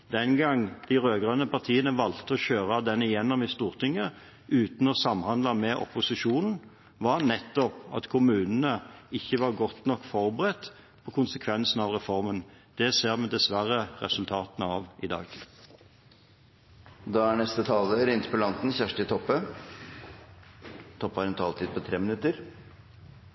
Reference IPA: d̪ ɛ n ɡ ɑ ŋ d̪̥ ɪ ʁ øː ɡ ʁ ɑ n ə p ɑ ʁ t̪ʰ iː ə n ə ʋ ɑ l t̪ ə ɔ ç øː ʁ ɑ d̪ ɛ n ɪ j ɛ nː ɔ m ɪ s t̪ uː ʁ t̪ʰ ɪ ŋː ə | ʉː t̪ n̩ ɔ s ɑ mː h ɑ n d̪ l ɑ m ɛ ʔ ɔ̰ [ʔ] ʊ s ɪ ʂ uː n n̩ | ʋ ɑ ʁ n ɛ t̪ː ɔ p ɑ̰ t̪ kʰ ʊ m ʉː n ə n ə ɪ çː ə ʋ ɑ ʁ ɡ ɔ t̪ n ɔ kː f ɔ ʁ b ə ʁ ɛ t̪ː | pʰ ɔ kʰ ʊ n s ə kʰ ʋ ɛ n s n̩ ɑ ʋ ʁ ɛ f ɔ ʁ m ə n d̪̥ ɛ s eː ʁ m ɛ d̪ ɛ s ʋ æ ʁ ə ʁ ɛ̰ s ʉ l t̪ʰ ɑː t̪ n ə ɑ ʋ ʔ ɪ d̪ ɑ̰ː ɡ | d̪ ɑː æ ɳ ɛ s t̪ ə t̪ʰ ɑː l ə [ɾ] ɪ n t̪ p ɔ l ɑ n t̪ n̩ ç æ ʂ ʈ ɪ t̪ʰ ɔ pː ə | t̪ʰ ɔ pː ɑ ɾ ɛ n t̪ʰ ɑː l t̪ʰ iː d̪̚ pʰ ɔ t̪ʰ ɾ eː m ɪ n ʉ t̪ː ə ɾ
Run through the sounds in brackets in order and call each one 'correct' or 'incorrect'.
incorrect, correct

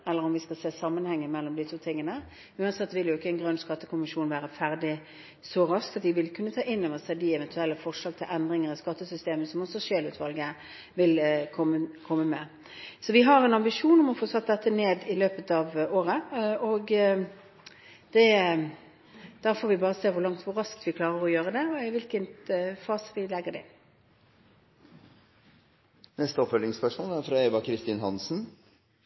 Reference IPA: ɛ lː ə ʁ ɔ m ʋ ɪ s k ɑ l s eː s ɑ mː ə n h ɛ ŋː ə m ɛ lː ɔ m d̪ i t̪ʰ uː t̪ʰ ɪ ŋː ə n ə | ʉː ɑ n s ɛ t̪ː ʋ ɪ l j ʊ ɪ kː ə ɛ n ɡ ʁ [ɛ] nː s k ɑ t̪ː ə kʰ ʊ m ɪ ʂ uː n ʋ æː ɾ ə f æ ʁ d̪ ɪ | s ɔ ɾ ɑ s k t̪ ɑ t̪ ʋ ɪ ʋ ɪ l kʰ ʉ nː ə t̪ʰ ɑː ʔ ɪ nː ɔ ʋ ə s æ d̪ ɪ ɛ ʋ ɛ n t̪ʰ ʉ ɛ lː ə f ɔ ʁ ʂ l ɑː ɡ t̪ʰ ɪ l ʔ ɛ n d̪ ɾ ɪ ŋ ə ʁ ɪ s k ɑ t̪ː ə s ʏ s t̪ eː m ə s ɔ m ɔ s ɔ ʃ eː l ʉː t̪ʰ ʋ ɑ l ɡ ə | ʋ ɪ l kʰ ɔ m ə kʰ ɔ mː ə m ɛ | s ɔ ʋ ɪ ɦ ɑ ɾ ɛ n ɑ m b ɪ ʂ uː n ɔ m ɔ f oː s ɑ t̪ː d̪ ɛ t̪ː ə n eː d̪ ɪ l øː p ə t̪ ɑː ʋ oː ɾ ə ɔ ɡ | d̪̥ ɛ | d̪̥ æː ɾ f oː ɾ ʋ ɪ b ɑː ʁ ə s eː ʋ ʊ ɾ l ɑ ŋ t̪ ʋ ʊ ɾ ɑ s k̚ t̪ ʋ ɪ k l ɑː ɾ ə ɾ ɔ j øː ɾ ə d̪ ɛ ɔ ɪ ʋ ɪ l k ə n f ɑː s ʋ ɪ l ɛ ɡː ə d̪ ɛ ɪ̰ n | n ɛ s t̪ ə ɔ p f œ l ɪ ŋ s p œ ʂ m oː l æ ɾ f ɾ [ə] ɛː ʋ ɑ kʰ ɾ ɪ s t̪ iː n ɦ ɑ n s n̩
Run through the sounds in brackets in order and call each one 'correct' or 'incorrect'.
incorrect, incorrect

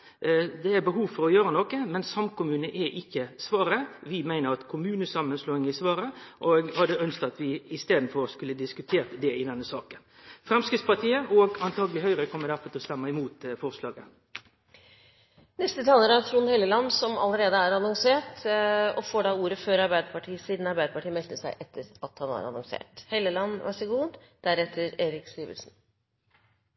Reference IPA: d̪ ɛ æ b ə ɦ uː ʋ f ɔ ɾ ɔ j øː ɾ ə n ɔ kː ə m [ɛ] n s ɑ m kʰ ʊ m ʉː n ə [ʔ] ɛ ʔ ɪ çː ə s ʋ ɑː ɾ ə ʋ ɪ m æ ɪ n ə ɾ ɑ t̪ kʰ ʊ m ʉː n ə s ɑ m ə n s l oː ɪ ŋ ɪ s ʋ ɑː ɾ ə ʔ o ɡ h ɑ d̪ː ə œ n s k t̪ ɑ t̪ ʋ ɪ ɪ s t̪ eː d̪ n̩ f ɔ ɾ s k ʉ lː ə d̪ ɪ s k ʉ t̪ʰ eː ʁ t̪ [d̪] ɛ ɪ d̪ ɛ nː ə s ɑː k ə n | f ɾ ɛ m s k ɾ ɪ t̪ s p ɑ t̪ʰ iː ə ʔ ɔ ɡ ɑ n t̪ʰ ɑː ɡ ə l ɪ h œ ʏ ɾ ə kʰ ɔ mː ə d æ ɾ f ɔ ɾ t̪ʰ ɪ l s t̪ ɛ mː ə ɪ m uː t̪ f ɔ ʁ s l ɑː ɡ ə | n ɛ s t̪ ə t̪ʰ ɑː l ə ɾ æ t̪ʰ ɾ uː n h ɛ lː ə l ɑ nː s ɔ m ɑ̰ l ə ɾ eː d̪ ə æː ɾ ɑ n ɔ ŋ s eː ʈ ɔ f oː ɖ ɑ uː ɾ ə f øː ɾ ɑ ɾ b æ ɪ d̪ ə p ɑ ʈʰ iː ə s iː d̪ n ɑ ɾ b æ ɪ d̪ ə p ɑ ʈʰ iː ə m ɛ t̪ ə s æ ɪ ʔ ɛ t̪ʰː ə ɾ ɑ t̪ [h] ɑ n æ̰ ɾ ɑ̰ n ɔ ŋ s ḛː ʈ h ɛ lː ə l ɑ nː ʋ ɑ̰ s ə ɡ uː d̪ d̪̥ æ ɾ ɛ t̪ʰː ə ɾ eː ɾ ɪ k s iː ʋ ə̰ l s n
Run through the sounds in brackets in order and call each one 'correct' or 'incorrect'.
correct, correct, correct, correct

